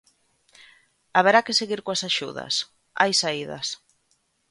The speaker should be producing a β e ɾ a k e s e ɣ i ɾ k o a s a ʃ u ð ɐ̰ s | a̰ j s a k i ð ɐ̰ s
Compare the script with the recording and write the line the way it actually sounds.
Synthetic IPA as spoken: a β e ɾ a k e s e ɣ i ɾ k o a s a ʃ u ð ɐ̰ s | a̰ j s a i ð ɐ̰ s